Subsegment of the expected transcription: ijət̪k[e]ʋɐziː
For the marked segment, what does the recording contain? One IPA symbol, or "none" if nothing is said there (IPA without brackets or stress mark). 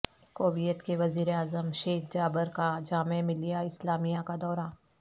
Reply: e